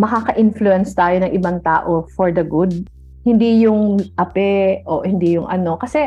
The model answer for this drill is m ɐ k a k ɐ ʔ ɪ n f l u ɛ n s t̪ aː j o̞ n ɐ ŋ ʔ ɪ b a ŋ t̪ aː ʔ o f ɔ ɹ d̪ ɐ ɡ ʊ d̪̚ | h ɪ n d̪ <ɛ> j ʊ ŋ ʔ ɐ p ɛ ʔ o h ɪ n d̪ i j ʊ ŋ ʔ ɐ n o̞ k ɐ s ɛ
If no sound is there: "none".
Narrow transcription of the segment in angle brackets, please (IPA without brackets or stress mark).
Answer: i